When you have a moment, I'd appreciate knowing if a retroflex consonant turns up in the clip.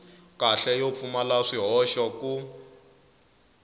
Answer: yes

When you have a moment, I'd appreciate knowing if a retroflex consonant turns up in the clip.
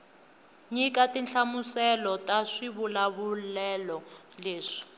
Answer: yes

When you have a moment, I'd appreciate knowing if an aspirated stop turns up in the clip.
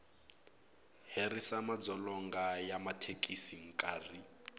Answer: yes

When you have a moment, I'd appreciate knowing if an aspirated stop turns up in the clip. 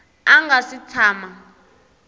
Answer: yes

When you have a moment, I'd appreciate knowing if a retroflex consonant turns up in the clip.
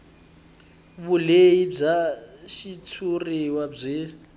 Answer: yes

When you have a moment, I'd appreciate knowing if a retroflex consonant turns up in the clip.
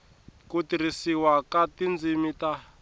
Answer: no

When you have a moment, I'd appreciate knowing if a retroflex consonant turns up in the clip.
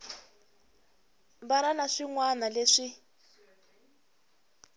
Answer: yes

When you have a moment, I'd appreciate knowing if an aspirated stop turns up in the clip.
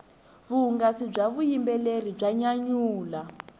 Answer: no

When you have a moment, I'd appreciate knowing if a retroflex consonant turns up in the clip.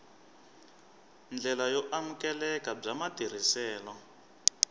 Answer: yes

